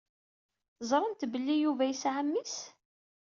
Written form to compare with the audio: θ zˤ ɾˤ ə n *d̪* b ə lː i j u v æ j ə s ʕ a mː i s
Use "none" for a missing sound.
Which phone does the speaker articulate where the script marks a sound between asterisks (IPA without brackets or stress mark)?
t̪